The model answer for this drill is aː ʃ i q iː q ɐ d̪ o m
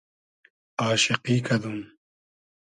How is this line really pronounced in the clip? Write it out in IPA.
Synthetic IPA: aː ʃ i q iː k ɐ d̪ u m